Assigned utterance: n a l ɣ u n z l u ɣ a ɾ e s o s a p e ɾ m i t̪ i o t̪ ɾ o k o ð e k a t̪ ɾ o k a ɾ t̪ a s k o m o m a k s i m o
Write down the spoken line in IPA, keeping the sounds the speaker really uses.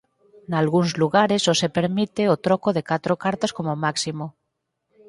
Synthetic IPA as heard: n a l ɣ u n z l u ɣ a ɾ e s o s e p e ɾ m i t̪ e o t̪ ɾ o k o ð e k a t̪ ɾ o k a ɾ t̪ a s k o m o m a k s i m o